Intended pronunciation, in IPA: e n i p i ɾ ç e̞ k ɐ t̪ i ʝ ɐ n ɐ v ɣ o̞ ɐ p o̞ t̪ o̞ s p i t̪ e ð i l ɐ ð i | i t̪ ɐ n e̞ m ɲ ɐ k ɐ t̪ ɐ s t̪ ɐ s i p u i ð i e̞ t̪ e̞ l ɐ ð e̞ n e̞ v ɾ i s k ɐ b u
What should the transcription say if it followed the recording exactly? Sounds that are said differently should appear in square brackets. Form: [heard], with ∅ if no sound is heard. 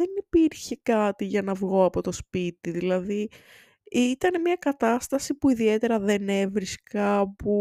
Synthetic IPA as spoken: e n i p i ɾ ç e̞ k ɐ t̪ i ʝ ɐ n ɐ v ɣ o̞ ɐ p o̞ t̪ o̞ s p i t̪ [i] ð i l ɐ ð i | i t̪ ɐ n e̞ m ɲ ɐ k ɐ t̪ ɐ s t̪ ɐ s i p u i ð i e̞ t̪ e̞ [ɾ] ɐ ð e̞ n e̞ v ɾ i s k ɐ [p] u